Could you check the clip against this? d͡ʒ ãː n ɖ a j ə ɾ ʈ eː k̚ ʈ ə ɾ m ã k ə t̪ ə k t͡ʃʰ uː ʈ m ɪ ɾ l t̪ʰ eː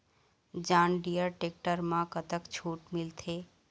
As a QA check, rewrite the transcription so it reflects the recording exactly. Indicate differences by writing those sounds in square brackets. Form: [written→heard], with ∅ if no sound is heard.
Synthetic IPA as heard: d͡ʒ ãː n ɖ [a→i] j ə ɾ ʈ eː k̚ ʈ ə ɾ m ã k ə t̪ ə k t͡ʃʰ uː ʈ m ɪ [ɾ→∅] l t̪ʰ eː